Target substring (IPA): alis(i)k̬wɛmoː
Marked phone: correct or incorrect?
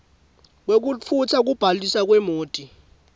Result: incorrect